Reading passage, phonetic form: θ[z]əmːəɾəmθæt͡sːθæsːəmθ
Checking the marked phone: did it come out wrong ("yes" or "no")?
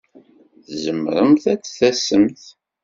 no